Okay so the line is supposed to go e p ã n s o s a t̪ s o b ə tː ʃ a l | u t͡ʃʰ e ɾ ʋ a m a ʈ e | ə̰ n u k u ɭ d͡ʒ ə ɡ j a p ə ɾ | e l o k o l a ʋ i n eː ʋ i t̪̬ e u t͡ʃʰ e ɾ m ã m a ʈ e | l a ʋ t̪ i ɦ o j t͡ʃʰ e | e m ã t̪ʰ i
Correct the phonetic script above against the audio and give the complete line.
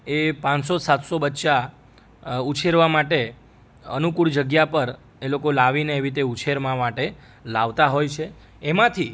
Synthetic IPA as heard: e p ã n s o s a t̪ s o b ə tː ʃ a | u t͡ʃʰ e ɾ ʋ a m a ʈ e | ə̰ n u k u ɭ d͡ʒ ə ɡ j a p ə ɾ | e l o k o l a ʋ i n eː ʋ i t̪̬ e u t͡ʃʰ e ɾ m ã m a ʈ e | l a ʋ t̪ a ɦ o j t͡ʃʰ e | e m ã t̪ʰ i